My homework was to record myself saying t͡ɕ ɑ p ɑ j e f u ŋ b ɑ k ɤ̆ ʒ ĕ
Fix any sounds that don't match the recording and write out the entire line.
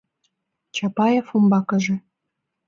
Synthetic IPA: t͡ɕ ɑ p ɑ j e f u m b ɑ k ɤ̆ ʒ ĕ